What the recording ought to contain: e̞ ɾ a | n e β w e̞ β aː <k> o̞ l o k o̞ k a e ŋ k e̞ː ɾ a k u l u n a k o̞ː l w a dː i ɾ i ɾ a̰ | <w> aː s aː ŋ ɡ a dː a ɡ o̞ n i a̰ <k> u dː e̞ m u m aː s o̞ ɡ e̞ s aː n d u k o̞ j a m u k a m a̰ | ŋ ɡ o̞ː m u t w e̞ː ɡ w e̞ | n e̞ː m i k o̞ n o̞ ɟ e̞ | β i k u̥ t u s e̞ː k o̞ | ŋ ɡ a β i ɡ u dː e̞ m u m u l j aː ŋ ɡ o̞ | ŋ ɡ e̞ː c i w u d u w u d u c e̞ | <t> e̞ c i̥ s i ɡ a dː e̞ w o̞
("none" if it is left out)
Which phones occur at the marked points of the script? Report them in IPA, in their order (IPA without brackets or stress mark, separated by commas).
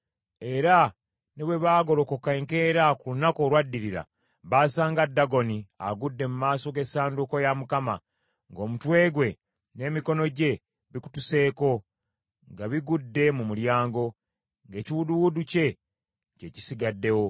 ɡ, β, ɡ, c